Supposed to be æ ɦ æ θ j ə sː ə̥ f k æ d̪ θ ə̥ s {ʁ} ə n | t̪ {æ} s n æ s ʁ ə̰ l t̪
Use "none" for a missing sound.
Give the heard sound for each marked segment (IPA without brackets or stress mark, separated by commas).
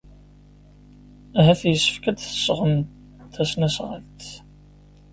ʁ, æ